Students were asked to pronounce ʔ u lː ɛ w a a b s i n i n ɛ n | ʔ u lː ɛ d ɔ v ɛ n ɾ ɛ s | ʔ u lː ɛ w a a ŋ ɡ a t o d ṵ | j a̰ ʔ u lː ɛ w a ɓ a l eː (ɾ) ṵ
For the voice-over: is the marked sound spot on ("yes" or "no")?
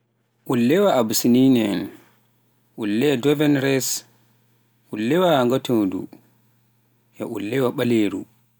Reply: yes